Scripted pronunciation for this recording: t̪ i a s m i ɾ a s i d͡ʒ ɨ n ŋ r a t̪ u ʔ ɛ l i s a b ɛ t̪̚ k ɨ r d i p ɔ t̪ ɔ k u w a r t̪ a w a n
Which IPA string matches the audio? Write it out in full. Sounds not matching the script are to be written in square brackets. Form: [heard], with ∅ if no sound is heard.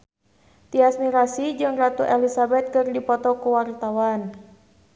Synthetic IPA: t̪ i a s m i ɾ a s i d͡ʒ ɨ [∅] ŋ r a t̪ u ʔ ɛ l i s a b ɛ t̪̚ k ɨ r d i p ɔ t̪ ɔ k u w a r t̪ a w a n